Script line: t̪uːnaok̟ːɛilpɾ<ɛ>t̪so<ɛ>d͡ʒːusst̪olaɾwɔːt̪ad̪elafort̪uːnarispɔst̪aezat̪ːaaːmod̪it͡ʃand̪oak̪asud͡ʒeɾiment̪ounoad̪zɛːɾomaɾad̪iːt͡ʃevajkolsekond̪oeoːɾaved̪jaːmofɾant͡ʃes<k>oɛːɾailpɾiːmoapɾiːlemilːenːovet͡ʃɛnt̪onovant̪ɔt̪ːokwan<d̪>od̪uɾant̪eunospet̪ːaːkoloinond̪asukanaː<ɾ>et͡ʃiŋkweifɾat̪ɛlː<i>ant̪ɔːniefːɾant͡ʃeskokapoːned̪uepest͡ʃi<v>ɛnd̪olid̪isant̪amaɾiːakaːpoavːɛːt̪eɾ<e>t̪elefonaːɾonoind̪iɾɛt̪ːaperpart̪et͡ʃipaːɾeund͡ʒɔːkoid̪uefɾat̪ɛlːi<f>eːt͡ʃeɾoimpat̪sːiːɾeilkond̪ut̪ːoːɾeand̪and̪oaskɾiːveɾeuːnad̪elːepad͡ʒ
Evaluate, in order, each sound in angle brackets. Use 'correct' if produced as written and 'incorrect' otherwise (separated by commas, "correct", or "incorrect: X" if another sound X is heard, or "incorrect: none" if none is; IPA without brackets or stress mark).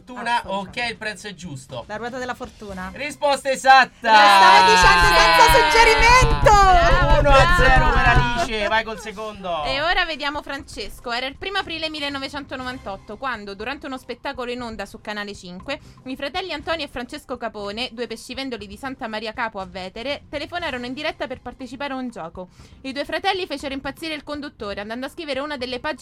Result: correct, correct, correct, correct, incorrect: l, correct, correct, correct, correct